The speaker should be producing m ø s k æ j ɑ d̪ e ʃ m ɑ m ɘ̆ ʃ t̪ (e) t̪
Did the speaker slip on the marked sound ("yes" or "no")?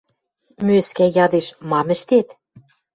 no